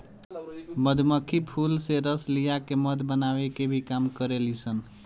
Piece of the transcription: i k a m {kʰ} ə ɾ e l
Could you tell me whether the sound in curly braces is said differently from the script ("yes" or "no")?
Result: yes